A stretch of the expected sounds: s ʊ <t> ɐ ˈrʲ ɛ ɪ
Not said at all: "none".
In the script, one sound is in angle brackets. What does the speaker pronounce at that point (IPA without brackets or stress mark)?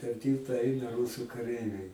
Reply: k